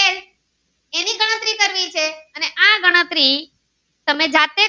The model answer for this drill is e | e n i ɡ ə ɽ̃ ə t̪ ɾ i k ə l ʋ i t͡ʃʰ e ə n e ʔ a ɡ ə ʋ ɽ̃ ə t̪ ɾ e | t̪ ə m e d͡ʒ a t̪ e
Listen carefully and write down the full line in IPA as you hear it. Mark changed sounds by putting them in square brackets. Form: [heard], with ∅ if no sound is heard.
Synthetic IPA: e | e n i ɡ ə ɽ̃ ə t̪ ɾ i k ə [ɾ] ʋ i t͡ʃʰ e ə n e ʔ a ɡ ə [∅] ɽ̃ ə t̪ ɾ [i] | t̪ ə m e d͡ʒ a t̪ e